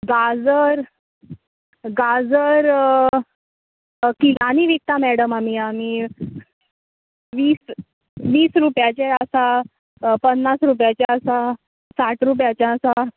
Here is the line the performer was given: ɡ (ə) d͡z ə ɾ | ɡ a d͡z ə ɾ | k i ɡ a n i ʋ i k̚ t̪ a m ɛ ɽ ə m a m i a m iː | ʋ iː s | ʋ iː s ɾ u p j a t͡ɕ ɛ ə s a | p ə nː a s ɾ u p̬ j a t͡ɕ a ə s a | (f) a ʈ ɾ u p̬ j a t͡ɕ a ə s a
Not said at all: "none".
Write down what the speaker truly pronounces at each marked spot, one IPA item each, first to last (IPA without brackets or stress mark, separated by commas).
a, s